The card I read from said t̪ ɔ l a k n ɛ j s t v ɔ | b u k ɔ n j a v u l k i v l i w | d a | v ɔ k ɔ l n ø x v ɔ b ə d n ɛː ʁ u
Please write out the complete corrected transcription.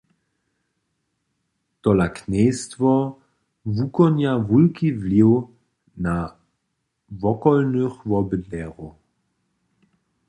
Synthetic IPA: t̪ ɔ l a k n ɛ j s t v ɔ | v u k ɔ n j a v u l k i v l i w | n a | v ɔ k ɔ l n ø x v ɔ b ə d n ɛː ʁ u